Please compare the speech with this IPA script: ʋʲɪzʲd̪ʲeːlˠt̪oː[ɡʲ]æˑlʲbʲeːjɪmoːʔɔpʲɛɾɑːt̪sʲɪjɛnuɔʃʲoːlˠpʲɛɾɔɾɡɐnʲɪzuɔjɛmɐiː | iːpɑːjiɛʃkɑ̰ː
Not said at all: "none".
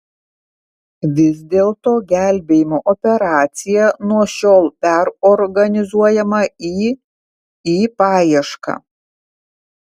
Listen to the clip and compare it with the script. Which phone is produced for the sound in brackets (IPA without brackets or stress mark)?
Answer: ɡʲ